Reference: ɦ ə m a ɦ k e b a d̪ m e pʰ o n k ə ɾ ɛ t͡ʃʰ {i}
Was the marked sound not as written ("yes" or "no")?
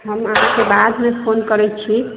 no